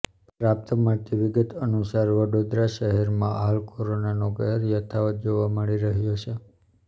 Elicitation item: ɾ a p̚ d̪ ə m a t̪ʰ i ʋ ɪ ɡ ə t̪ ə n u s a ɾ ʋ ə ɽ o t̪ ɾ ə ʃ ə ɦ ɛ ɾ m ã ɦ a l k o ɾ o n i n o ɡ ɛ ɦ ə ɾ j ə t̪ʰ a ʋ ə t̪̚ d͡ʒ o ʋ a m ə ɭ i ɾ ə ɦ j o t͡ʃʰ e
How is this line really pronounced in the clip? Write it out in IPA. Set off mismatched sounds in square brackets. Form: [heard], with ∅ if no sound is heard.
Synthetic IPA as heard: ɾ a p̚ [t̪] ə m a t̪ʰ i ʋ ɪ ɡ ə t̪ ə n u s a ɾ ʋ ə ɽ o [d̪] ɾ [a] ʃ ə ɦ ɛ ɾ m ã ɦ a l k o ɾ o n [a] n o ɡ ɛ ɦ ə ɾ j ə t̪ʰ a ʋ ə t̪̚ d͡ʒ o ʋ a m ə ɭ i ɾ ə ɦ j o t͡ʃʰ e

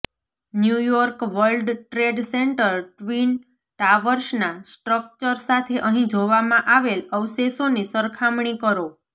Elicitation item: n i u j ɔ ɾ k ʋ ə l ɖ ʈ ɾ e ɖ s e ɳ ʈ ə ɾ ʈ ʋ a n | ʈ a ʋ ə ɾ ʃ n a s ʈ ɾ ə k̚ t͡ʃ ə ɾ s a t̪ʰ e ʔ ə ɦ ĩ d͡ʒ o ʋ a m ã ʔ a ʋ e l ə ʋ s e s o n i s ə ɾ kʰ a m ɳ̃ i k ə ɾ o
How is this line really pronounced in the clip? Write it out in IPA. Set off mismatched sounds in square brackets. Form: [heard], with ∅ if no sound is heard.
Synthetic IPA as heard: n [j] u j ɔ ɾ k ʋ ə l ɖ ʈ ɾ e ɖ s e ɳ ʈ ə ɾ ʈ ʋ [i] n | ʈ a ʋ ə ɾ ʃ n a s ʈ ɾ ə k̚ t͡ʃ ə ɾ s a t̪ʰ e ʔ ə ɦ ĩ d͡ʒ o ʋ a m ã ʔ a ʋ e l ə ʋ s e s o n i s ə ɾ kʰ a m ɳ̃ i k ə ɾ o

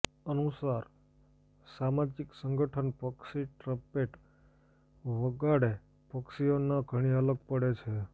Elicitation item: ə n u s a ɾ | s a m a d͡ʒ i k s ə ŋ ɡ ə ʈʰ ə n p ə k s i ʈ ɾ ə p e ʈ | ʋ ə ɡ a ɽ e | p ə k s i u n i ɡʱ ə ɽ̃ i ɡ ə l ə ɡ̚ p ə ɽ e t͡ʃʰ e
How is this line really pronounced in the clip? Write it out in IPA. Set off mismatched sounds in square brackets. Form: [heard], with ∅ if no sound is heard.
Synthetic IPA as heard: ə n u s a ɾ | s a m a d͡ʒ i k s ə ŋ ɡ ə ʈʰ ə n p ə k s i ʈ ɾ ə p e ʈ | ʋ ə ɡ a ɽ e | p ə k s i [o] n [a] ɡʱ ə ɽ̃ i [∅] ə l ə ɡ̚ p ə ɽ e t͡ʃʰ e

